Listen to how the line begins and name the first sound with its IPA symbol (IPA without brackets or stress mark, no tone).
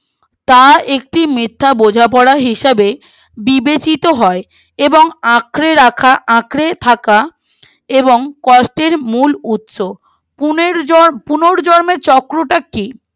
t̪